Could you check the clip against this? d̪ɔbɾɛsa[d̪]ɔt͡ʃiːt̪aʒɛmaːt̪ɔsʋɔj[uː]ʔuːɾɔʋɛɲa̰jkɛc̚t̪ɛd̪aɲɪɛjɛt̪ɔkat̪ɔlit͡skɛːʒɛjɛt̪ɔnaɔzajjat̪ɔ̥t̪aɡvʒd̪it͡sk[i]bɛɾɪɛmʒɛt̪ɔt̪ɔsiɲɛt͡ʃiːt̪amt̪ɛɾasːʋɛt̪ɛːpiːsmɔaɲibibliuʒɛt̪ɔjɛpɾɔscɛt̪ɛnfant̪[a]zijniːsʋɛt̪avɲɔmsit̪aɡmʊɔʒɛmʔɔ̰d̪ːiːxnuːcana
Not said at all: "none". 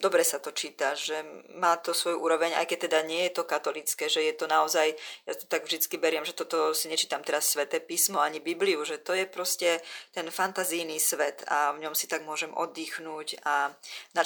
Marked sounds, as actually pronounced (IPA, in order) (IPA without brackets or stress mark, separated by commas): t̪, u, i, a